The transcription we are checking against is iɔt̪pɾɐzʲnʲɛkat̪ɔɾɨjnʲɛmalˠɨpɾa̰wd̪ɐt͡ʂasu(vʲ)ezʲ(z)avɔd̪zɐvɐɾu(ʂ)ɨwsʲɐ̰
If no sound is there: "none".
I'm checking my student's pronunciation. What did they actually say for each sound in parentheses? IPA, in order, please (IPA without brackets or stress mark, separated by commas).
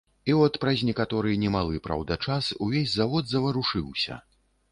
vʲ, z, ʂ